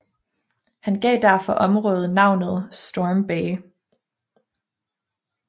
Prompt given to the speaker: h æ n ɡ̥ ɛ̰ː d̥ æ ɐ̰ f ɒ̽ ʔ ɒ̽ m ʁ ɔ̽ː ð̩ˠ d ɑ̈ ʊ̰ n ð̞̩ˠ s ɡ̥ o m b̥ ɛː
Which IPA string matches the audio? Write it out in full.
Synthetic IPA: h æ n ɡ̥ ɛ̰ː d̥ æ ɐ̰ f ɒ̽ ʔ ɒ̽ m ʁ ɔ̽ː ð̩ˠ n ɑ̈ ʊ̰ n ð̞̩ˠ s d̥ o m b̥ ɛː

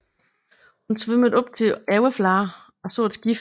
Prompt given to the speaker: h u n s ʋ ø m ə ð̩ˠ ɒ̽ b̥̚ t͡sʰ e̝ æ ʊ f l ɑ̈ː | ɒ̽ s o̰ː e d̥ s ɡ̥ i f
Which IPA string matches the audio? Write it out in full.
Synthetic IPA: h u n s ʋ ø m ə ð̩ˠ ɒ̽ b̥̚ t͡sʰ e̝ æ ʊ f l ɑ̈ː | ɒ̽ s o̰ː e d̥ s ɡ̥ i f

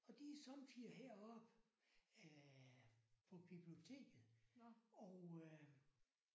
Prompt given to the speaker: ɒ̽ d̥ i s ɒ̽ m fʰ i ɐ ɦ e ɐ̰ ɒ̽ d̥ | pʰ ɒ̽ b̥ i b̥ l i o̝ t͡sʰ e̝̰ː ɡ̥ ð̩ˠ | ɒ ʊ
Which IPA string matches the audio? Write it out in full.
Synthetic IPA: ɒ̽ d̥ i s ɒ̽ m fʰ i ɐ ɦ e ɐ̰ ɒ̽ b̥ | pʰ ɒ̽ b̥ i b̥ l i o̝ t͡sʰ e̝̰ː ɡ̥ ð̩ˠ | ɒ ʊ

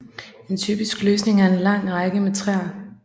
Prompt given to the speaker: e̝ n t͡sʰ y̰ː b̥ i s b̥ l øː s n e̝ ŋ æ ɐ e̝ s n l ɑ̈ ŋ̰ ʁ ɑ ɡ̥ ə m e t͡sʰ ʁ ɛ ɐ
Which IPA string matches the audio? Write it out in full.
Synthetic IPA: e̝ n t͡sʰ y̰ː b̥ i s ɡ̥ l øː s n e̝ ŋ æ ɐ e̝ n l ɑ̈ ŋ̰ ʁ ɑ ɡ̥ ə m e t͡sʰ ʁ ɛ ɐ

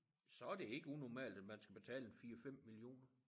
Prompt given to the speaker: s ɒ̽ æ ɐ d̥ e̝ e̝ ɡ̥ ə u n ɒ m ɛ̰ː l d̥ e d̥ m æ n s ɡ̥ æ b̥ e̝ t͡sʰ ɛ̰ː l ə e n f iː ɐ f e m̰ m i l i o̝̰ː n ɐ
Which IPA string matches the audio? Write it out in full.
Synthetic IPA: s ɒ̽ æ ɐ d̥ e̝ e̝ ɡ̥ ə u n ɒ m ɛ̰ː l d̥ æ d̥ m æ n s ɡ̥ æ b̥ e̝ t͡sʰ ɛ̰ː l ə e n f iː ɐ f e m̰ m i l i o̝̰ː n ɐ

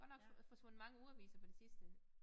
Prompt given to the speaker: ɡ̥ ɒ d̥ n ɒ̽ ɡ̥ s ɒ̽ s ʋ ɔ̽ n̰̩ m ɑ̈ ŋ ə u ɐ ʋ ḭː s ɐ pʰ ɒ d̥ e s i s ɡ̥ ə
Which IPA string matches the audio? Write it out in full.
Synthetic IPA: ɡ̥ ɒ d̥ n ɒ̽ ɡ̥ f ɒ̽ s ʋ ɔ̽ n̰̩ m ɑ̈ ŋ ə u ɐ ʋ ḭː s ɐ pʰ ɒ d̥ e s i s d̥ ə

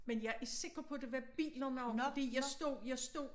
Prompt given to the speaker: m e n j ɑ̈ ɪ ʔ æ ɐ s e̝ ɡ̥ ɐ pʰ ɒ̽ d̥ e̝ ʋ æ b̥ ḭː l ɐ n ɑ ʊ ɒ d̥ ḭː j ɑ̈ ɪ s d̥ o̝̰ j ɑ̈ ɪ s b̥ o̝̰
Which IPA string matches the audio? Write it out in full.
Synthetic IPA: m e n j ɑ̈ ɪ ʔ æ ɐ s e̝ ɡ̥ ɐ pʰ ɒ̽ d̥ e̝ ʋ æ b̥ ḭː l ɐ n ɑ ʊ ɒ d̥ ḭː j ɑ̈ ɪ s d̥ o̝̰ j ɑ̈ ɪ s d̥ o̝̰

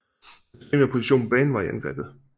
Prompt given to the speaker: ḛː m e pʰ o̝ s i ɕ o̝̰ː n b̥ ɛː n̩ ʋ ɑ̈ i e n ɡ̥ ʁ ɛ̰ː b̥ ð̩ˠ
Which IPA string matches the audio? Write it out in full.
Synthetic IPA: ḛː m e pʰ o̝ s i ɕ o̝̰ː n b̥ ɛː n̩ ʋ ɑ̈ i æ n ɡ̥ ʁ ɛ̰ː b̥ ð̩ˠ

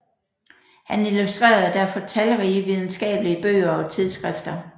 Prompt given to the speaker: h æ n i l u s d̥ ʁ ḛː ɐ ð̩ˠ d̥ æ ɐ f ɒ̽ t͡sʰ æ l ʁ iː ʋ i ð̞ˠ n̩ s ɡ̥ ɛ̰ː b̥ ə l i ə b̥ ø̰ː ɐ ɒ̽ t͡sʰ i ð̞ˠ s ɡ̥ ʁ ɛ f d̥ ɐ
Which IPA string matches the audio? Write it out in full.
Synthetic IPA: h æ n i l u s d̥ ʁ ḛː ɐ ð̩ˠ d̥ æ ɐ f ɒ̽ t͡sʰ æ l ʁ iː ʋ i ð̞ˠ n̩ s ɡ̥ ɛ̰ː b̥ ə l i ə b̥ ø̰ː ɐ ɒ̽ t͡sʰ i ð̞ˠ s ɡ̥ ʁ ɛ f d̥ ɐ

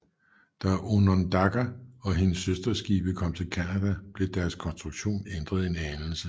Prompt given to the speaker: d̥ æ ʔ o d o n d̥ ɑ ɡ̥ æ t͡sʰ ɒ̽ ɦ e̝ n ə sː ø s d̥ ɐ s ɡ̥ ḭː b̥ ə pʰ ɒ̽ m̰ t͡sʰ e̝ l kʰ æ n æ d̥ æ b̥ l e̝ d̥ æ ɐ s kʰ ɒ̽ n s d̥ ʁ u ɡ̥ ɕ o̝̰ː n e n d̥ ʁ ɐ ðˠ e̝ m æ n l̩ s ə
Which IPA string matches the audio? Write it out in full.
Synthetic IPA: d̥ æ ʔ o n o n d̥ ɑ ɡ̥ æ ɒ̽ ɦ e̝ n ə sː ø s d̥ ɐ s ɡ̥ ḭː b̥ ə kʰ ɒ̽ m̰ t͡sʰ e̝ l kʰ æ n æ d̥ æ b̥ l e̝ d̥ æ ɐ s kʰ ɒ̽ n s d̥ ʁ u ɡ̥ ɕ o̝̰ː n e n d̥ ʁ ɐ ðˠ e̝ n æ n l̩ s ə

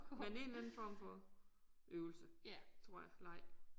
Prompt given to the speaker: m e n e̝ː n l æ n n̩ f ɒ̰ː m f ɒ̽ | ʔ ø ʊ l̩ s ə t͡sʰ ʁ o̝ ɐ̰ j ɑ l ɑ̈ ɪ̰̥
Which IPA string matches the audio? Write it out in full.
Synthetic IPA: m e n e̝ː n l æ n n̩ f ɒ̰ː m f ɒ̽ | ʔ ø ʊ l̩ s ə t͡sʰ ʁ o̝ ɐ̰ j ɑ l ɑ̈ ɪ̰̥

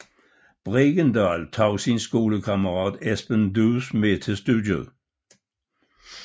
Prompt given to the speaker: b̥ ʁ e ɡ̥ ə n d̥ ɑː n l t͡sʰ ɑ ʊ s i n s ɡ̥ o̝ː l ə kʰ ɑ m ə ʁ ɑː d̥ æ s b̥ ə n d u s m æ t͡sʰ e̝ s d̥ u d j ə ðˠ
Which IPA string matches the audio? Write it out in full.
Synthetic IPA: b̥ ʁ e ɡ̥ ə n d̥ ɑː l t͡sʰ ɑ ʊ s i n s ɡ̥ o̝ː l ə kʰ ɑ m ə ʁ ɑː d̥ e s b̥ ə n d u s m e t͡sʰ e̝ s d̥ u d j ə ðˠ

